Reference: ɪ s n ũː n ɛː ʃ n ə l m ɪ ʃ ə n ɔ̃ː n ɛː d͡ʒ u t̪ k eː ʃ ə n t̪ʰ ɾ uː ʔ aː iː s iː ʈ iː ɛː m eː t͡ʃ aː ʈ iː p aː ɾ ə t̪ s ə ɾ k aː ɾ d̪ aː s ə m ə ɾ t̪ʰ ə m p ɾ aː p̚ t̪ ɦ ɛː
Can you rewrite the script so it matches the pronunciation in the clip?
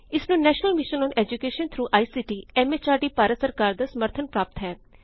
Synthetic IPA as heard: ɪ s n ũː n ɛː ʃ n ə l m ɪ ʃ ə n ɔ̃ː n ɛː d͡ʒ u k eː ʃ ə n t̪ʰ ɾ uː ʔ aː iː s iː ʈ iː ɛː m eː t͡ʃ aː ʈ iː p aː ɾ ə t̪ s ə ɾ k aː ɾ d̪ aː s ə m ə ɾ t̪ʰ ə n p ɾ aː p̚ t̪ ɦ ɛː